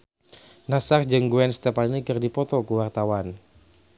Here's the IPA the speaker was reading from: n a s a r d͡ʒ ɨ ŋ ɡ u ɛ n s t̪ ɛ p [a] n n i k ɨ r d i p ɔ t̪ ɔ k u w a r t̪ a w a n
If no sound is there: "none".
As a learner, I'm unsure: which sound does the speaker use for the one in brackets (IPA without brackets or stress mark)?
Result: a